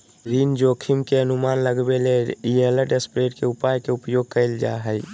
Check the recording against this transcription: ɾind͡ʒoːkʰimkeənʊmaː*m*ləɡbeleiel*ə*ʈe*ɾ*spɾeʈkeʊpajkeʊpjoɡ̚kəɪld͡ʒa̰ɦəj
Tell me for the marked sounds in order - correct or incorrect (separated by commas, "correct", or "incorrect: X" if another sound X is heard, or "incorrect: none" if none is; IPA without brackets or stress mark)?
incorrect: n, correct, incorrect: none